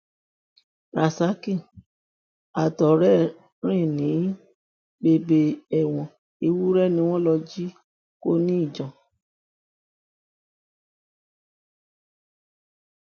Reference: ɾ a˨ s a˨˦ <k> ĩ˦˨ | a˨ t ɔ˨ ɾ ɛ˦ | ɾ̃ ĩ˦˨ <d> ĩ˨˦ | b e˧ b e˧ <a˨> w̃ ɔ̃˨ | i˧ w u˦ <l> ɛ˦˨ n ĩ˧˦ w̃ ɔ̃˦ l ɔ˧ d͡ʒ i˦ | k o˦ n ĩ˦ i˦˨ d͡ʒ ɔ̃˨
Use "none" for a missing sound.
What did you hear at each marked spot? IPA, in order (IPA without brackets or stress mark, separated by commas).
k, n, ɛ˨, ɾ